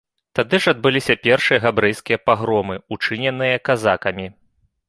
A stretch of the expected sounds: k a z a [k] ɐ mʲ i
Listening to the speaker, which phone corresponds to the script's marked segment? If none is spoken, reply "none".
k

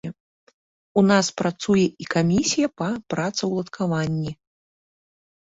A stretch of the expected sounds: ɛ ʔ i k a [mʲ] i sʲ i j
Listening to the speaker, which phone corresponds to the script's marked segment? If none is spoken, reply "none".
mʲ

